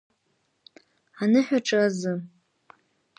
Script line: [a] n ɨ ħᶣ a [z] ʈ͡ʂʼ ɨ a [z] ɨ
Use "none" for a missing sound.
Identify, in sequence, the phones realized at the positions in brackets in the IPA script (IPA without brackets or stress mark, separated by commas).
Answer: a, none, z